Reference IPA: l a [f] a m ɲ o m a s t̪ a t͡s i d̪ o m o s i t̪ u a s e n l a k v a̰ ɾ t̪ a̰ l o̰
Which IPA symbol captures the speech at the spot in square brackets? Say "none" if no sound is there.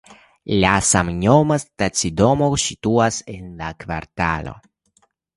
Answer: s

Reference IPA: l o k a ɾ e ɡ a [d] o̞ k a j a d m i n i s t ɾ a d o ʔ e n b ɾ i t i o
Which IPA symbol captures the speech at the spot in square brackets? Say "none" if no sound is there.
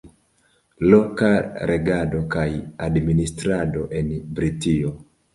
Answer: d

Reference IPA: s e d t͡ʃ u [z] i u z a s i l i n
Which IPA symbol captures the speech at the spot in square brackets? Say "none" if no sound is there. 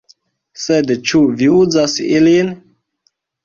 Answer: v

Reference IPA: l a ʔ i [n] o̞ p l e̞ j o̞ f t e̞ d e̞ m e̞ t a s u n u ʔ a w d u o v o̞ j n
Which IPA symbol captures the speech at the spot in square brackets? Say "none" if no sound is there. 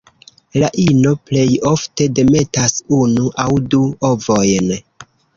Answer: n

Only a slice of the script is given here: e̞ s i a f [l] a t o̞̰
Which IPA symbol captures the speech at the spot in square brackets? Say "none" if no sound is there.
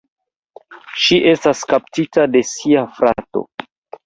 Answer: ɾ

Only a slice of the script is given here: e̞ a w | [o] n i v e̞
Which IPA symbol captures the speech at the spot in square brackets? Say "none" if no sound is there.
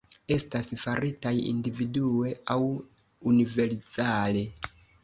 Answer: u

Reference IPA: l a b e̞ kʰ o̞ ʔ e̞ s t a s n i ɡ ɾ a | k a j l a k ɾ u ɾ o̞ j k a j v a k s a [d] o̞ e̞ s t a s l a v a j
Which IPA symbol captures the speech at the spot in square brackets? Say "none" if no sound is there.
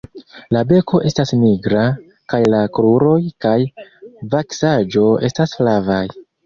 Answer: d͡ʒ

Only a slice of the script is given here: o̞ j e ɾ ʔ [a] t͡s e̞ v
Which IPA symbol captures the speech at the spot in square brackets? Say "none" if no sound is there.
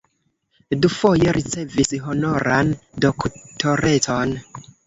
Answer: i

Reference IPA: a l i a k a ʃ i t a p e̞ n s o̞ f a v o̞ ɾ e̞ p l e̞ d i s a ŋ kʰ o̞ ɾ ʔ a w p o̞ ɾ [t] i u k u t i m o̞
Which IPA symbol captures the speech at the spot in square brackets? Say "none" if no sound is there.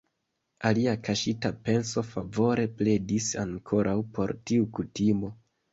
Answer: t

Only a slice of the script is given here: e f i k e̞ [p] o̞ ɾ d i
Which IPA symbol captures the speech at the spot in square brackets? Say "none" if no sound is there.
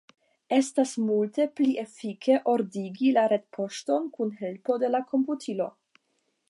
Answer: ʔ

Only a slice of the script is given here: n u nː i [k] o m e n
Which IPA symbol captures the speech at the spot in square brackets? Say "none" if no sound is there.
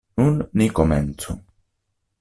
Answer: k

